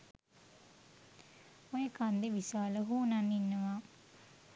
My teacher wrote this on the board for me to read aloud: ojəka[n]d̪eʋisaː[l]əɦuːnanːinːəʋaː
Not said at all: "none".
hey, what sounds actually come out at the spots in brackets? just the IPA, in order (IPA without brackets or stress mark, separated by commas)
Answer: n, l